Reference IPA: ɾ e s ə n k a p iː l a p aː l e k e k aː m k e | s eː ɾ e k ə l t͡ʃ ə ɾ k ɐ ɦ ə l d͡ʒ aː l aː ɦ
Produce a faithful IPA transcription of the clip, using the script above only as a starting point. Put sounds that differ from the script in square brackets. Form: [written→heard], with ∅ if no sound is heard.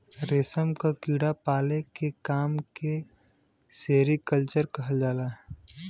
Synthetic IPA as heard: ɾ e s ə [n→m] k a [p→k] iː [l→ɽ] a p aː l e k e k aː m k e | s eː ɾ [e→i] k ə l t͡ʃ ə ɾ k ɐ ɦ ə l d͡ʒ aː l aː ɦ